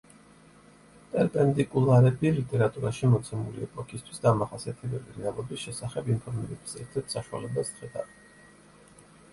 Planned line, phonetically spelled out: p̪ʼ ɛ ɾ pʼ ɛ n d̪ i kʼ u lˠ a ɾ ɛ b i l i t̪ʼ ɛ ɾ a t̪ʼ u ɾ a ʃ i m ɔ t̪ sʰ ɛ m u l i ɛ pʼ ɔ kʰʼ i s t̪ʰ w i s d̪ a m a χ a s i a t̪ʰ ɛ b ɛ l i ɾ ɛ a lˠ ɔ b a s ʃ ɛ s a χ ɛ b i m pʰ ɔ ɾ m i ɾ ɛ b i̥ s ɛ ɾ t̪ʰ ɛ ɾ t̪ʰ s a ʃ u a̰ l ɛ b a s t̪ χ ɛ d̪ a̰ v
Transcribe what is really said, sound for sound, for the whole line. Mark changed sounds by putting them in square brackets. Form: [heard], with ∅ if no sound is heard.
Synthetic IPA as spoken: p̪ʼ ɛ ɾ pʼ ɛ n d̪ i kʼ u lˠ a ɾ ɛ b i l i t̪ʼ ɛ ɾ a t̪ʼ u ɾ a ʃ i m ɔ t̪ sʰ ɛ m u l i ɛ pʼ ɔ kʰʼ i s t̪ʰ w i s d̪ a m a χ a s i a t̪ʰ ɛ b ɛ l i ɾ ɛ a lˠ ɔ b [i] s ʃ ɛ s a χ ɛ b i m pʰ ɔ ɾ m i ɾ ɛ b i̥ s ɛ ɾ t̪ʰ ɛ ɾ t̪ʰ s a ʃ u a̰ l ɛ b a s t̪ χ ɛ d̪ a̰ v